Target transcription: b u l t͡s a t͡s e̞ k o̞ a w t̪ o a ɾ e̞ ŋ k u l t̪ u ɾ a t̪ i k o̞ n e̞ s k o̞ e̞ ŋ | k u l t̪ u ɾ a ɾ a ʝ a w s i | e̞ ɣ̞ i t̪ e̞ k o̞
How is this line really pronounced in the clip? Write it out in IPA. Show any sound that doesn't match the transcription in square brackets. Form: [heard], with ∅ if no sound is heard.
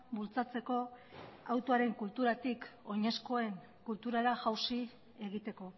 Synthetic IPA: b u l t͡s a t͡s e̞ k o̞ a w t̪ o a ɾ e̞ ŋ k u l t̪ u ɾ a t̪ i k o̞ [ɲ] e̞ s k o̞ e̞ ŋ | k u l t̪ u ɾ a ɾ a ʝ a w s i | e̞ ɣ̞ i t̪ e̞ k o̞